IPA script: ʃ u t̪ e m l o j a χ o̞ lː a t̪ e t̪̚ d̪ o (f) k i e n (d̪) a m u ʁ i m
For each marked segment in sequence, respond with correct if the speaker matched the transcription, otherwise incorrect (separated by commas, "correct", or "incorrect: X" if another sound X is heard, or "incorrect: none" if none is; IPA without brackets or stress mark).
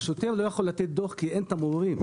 incorrect: χ, incorrect: t̪